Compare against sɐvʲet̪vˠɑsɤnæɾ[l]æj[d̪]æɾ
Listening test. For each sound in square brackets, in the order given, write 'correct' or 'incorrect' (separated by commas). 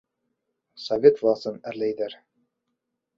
correct, correct